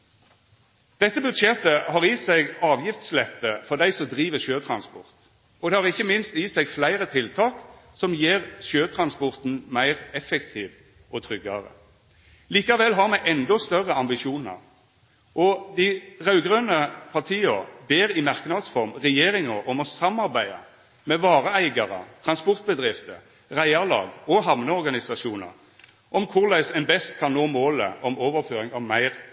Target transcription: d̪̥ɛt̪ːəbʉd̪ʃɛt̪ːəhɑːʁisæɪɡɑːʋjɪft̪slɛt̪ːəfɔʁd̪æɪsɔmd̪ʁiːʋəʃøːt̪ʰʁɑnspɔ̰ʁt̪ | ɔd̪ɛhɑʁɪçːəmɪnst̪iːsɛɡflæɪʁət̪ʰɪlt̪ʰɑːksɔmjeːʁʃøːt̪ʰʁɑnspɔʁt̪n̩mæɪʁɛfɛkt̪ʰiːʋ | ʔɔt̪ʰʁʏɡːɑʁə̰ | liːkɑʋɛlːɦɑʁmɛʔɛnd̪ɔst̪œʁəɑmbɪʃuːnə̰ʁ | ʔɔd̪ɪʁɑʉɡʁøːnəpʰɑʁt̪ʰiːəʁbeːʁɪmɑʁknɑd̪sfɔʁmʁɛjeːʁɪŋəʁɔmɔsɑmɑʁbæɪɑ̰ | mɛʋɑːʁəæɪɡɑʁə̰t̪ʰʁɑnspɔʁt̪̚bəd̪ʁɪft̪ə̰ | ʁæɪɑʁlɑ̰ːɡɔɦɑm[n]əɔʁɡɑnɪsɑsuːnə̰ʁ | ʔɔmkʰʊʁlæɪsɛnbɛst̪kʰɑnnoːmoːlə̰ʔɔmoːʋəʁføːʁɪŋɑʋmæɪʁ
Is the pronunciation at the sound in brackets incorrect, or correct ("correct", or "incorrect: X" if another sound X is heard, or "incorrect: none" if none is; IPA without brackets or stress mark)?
correct